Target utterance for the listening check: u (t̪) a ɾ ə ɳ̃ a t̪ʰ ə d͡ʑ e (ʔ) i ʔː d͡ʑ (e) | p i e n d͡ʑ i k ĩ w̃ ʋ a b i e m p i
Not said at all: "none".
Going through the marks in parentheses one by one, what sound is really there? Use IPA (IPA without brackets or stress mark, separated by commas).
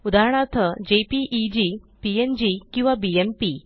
d̪, p, i